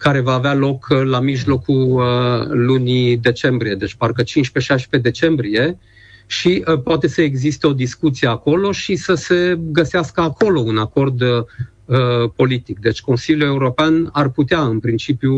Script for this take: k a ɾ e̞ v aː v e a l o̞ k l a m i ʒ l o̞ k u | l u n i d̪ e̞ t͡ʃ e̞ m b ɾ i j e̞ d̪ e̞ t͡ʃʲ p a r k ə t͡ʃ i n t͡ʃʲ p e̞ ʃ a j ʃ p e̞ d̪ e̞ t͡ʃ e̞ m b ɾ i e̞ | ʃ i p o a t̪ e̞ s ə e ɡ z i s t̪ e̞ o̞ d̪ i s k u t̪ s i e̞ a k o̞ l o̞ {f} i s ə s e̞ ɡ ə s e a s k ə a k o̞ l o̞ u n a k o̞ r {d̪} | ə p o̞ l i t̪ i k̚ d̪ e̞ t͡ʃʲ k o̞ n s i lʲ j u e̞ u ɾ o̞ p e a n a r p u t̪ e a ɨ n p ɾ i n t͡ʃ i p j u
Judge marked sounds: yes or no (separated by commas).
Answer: no, yes